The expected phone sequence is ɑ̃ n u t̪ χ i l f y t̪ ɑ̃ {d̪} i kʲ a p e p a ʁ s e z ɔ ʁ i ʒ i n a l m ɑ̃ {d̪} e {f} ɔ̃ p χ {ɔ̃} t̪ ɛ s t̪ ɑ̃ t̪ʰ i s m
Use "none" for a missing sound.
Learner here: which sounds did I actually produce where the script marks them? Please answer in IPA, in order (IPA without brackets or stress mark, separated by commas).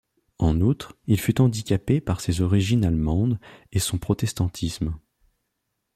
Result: d̪, d̪, s, ɔ